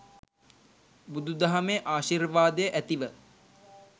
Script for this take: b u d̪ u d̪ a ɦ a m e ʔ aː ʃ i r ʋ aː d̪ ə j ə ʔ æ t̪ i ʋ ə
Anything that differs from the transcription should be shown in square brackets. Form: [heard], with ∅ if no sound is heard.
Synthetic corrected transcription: b u d̪ u d̪ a ɦ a m e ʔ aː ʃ i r ʋ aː d̪ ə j ə ʔ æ t̪ i ʋ ə